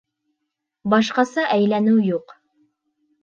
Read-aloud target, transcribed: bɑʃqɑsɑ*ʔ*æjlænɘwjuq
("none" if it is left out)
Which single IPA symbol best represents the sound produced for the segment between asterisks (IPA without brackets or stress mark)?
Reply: ʔ